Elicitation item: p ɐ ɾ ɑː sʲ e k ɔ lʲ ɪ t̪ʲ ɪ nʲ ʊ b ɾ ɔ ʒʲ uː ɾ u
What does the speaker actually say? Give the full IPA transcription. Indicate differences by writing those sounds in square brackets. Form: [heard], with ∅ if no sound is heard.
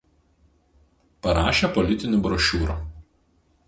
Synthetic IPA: p ɐ ɾ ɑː [ʃʲ] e [p] ɔ lʲ ɪ t̪ʲ ɪ nʲ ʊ b ɾ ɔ [ʃʲ] uː ɾ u